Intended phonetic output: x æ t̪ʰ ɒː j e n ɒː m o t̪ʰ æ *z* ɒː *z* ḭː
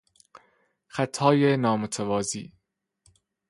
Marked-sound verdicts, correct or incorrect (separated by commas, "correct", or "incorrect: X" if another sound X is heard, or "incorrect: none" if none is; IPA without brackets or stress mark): incorrect: v, correct